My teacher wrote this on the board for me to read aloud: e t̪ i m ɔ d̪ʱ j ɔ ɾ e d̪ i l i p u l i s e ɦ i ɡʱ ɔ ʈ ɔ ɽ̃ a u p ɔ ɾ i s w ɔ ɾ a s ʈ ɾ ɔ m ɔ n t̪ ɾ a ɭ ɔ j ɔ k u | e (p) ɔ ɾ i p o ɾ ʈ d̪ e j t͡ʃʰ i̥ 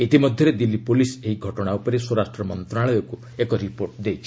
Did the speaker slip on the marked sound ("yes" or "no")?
yes